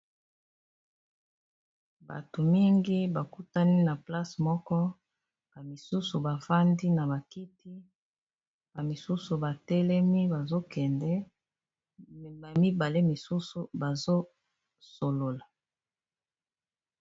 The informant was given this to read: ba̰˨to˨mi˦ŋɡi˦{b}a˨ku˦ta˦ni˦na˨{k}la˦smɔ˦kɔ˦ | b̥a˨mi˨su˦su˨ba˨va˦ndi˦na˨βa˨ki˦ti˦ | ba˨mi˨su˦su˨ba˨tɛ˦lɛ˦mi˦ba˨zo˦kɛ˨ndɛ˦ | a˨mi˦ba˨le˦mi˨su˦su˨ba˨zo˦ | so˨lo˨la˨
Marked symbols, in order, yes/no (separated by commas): yes, no